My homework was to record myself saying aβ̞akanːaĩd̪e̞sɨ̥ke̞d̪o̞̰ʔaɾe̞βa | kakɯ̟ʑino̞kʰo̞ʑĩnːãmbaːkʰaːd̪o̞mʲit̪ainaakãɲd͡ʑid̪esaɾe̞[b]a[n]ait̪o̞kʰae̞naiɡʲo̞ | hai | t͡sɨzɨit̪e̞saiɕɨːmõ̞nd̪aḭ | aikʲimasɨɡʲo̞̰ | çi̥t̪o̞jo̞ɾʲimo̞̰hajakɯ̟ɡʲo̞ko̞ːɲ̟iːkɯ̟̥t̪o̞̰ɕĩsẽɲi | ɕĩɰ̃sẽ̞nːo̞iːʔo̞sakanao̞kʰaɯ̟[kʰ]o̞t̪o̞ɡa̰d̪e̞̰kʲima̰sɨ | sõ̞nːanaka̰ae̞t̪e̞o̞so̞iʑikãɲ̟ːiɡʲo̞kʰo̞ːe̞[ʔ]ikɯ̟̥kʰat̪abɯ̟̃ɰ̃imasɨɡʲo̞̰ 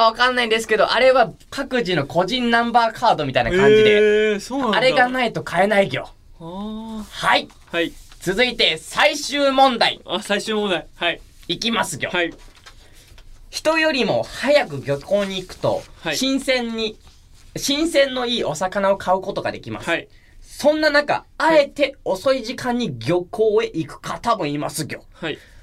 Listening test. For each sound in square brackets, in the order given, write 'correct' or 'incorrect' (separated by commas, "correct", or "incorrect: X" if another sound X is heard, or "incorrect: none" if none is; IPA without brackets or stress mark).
incorrect: ɡ, correct, incorrect: k, correct